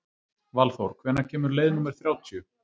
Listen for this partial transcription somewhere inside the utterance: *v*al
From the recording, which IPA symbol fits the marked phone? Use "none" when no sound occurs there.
v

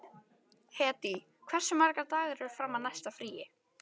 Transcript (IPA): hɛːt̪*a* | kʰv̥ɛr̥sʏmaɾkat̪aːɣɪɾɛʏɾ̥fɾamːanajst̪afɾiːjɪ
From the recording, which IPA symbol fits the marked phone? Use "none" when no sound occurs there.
i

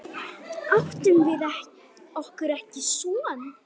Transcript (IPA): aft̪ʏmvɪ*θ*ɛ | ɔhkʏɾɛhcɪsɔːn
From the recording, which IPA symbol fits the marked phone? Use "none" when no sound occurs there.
ð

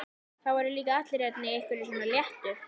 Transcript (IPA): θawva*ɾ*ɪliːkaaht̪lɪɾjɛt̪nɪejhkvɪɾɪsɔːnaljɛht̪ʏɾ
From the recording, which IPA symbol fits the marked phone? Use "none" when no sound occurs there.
ɾ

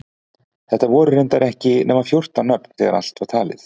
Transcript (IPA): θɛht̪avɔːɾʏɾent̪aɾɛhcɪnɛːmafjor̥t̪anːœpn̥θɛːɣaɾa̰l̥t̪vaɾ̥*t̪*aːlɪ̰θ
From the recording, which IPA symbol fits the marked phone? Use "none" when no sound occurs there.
t̪ʰ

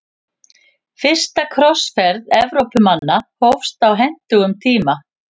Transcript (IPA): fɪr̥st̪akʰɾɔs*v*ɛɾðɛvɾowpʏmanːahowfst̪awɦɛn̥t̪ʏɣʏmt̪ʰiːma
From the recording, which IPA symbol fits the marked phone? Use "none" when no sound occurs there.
f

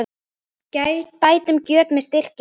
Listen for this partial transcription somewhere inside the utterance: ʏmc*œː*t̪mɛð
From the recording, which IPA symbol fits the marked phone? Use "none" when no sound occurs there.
œː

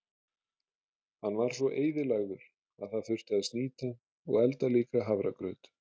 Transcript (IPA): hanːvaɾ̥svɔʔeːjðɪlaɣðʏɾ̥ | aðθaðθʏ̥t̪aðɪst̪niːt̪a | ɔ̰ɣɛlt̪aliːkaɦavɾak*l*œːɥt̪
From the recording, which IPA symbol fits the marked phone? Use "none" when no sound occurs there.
ɾ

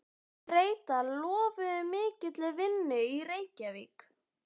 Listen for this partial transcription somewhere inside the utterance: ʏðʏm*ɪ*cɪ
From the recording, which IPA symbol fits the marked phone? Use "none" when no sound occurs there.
ɪː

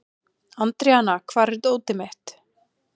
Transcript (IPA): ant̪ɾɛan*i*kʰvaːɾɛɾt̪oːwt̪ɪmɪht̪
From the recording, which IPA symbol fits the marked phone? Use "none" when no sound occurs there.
a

